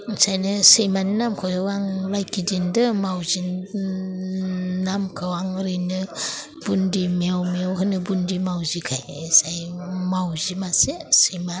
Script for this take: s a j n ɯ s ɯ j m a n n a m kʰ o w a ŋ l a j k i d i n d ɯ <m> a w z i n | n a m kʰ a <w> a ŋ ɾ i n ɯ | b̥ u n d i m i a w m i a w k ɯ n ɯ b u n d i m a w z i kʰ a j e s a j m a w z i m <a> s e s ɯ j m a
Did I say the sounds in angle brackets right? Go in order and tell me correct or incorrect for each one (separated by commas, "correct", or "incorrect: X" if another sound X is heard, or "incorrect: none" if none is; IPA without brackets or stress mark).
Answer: correct, correct, correct